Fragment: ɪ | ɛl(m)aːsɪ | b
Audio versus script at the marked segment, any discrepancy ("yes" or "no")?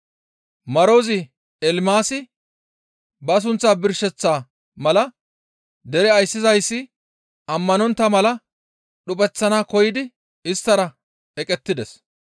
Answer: no